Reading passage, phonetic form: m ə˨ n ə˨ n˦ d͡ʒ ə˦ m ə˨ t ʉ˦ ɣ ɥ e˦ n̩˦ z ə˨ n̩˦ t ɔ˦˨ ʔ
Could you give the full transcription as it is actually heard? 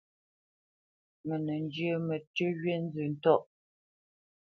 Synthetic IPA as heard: m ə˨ n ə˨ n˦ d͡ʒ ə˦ m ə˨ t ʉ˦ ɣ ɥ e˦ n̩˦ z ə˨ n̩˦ t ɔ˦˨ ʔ